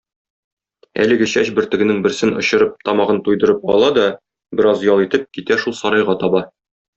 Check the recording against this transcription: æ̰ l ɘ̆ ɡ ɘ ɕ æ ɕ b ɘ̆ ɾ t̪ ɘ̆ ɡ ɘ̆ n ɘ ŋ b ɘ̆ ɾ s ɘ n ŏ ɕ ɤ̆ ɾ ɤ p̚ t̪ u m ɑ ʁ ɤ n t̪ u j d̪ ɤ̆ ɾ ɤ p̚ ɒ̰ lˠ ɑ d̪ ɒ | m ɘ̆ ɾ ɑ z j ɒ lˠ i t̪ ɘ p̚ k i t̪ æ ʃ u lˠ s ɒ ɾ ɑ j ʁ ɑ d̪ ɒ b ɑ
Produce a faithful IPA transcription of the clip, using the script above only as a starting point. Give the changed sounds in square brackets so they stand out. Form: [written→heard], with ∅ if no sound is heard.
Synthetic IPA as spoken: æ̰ l ɘ̆ ɡ ɘ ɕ æ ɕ b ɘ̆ ɾ t̪ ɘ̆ ɡ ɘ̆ n ɘ ŋ b ɘ̆ ɾ s ɘ n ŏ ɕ ɤ̆ ɾ ɤ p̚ t̪ [u→ɒ] m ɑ ʁ ɤ n t̪ u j d̪ ɤ̆ ɾ ɤ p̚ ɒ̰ lˠ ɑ d̪ ɒ | [m→b] ɘ̆ ɾ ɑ z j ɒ lˠ i t̪ ɘ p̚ k i t̪ æ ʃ u lˠ s ɒ ɾ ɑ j ʁ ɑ [d̪→t̪] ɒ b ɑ